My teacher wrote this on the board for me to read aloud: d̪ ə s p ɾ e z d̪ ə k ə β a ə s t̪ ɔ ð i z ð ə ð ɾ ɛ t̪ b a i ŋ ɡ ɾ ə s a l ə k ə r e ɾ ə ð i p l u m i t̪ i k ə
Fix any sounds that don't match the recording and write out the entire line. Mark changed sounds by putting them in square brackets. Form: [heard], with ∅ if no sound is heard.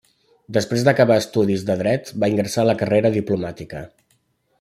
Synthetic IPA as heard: d̪ ə s p ɾ e z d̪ ə k ə β a ə s t̪ [u] ð i z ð ə ð ɾ ɛ t̪ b a i ŋ ɡ ɾ ə s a l ə k ə r e ɾ ə ð i p l u m [a] t̪ i k ə